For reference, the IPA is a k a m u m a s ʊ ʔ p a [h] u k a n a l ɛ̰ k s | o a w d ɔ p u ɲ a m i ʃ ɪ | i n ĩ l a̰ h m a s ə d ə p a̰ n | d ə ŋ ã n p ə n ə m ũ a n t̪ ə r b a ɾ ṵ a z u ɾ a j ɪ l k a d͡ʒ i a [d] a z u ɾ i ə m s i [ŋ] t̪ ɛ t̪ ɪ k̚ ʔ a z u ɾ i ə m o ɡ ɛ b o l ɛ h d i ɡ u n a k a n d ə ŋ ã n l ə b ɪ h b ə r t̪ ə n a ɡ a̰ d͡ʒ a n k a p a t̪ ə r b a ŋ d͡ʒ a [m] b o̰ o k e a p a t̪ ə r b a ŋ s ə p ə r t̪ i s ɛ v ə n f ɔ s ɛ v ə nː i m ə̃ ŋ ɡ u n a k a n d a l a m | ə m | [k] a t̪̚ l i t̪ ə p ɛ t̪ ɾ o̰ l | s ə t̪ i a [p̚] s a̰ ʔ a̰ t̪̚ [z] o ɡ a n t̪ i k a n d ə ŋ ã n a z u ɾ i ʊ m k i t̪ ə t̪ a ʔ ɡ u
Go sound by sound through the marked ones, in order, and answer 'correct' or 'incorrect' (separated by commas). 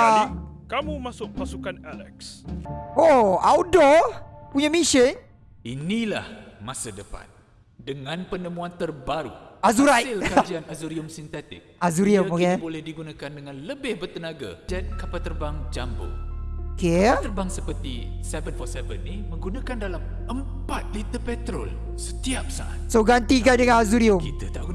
incorrect, incorrect, incorrect, correct, incorrect, correct, incorrect